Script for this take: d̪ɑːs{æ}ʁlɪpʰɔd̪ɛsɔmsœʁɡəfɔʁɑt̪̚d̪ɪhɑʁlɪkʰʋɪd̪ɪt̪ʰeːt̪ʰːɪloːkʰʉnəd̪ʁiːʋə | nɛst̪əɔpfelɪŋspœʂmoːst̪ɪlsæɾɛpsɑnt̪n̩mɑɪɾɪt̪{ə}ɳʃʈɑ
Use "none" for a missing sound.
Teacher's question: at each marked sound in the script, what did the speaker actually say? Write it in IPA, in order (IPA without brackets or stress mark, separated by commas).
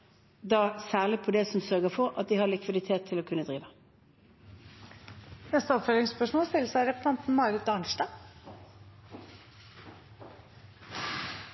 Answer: æː, ɑ